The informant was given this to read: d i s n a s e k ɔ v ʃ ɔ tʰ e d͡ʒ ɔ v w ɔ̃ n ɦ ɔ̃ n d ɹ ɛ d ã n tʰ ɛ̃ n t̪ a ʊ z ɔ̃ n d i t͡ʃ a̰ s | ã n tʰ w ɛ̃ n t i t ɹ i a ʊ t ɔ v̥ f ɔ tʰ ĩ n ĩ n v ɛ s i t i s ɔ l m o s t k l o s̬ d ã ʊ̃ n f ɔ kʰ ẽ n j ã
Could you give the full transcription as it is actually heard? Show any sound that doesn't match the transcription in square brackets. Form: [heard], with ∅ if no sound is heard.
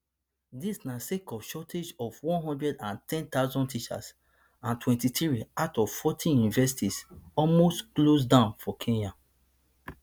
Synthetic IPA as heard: d i s n a s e k ɔ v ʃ ɔ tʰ e d͡ʒ ɔ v w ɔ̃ n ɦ ɔ̃ n d ɹ ɛ d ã n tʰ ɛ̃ n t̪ a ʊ z ɔ̃ n [t] i t͡ʃ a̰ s | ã n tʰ w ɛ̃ n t i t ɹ i a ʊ t ɔ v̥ f ɔ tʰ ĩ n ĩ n v ɛ s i t i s ɔ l m o s t k l o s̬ d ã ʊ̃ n f ɔ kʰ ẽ n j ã